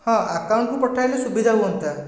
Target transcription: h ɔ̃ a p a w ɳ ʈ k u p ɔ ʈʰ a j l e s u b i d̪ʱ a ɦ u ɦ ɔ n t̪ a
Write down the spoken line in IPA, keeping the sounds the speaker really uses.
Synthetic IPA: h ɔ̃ a k a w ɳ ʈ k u p ɔ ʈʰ a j l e s u b i d̪ʱ a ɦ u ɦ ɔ n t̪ a